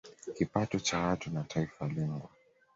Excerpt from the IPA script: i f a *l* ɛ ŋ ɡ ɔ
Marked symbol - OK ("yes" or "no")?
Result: yes